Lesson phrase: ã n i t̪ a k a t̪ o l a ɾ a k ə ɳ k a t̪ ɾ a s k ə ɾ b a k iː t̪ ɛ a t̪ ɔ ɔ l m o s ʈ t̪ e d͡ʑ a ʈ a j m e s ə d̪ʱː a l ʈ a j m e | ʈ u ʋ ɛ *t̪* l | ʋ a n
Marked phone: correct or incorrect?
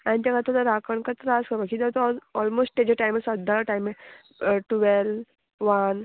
incorrect